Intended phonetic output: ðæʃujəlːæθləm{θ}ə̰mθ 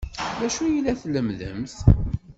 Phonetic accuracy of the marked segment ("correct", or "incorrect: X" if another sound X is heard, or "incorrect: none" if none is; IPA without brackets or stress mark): incorrect: ð